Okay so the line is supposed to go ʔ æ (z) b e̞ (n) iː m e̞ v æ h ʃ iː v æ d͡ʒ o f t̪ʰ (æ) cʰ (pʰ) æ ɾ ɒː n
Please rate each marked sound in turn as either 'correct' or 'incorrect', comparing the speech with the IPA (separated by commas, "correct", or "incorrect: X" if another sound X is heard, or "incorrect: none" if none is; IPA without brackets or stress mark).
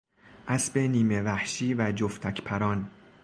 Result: incorrect: s, correct, correct, correct